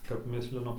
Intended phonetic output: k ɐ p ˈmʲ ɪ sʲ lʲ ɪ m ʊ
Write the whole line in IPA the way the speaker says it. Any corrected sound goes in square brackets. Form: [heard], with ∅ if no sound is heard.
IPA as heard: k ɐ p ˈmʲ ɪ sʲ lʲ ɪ [n] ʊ